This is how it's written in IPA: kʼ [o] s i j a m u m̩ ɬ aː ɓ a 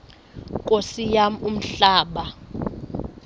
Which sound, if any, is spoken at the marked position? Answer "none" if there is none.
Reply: o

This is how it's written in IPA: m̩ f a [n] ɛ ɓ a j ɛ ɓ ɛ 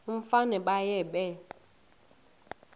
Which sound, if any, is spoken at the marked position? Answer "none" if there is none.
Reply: n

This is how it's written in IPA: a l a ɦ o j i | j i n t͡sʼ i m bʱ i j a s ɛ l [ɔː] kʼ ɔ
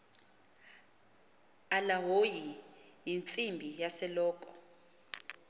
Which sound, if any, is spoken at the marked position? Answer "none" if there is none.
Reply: ɔː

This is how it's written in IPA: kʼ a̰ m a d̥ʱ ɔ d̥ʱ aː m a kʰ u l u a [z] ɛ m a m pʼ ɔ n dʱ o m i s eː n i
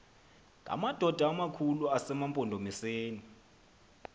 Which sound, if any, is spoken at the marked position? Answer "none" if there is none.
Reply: s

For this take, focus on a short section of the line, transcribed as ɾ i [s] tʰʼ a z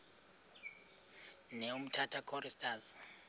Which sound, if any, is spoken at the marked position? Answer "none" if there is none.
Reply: s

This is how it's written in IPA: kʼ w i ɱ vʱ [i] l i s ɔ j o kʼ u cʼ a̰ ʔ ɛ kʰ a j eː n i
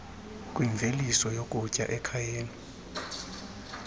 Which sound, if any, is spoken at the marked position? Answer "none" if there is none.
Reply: e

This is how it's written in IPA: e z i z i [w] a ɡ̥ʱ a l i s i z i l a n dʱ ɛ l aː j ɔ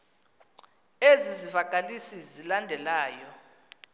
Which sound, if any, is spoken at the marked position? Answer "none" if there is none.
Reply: v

